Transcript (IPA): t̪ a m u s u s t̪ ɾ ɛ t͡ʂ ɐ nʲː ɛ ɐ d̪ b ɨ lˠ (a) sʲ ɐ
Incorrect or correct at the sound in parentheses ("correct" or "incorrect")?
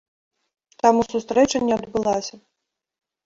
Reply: correct